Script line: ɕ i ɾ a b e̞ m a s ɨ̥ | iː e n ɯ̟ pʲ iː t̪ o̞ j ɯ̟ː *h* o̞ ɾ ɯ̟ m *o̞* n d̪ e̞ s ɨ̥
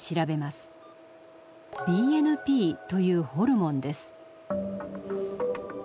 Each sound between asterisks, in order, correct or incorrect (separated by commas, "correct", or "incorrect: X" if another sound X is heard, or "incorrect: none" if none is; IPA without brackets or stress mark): correct, incorrect: õ̞